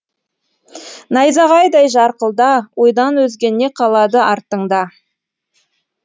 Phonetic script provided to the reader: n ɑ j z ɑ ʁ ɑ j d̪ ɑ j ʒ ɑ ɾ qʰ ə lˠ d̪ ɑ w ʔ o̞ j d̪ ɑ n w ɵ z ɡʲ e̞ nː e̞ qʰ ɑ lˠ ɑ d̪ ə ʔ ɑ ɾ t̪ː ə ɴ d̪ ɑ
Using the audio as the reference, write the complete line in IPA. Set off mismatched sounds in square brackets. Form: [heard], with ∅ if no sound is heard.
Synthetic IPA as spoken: n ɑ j z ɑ ʁ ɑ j d̪ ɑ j ʒ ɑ ɾ [q] ə lˠ d̪ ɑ w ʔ o̞ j d̪ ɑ n w ɵ z ɡʲ e̞ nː e̞ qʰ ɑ lˠ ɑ d̪ ə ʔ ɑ ɾ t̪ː ə ɴ d̪ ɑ